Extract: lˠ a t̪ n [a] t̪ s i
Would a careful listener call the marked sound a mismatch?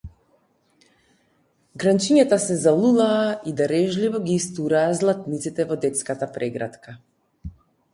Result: yes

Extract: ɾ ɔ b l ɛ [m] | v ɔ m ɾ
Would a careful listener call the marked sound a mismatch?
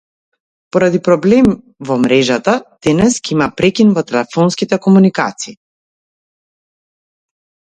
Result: no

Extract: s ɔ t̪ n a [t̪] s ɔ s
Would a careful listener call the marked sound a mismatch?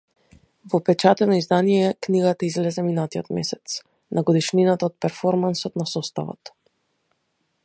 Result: yes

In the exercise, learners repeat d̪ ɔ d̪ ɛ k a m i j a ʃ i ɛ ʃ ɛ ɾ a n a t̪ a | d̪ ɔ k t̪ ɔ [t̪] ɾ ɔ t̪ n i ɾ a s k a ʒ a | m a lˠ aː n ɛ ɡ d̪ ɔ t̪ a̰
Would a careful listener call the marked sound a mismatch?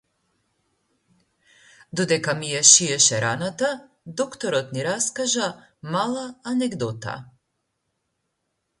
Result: yes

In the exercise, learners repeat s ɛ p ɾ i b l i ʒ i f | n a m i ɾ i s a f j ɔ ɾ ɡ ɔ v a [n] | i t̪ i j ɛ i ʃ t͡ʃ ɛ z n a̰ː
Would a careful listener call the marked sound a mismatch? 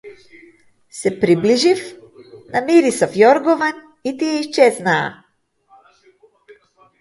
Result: no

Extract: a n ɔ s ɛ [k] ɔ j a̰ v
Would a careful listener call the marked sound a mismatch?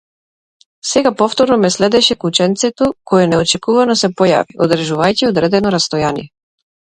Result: yes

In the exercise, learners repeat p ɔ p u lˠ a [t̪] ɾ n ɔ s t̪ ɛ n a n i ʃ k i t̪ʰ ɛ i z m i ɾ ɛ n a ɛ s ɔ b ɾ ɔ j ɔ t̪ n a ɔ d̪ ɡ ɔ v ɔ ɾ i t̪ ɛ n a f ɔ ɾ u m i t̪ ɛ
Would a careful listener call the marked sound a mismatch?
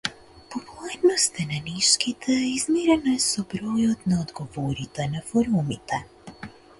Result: yes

